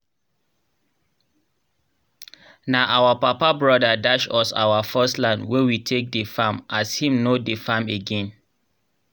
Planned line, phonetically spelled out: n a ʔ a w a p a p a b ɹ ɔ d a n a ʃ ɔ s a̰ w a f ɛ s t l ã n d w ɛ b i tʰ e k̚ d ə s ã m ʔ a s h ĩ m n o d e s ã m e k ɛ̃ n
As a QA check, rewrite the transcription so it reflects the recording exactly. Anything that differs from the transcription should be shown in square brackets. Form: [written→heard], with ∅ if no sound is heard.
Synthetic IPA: n a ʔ a w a p a p a b ɹ ɔ d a [n→d] a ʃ ɔ s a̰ w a f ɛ s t l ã n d w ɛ [b→w] i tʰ e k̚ d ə [s→f] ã m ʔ a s h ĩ m n o d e [s→f] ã m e [k→ɡ] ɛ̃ n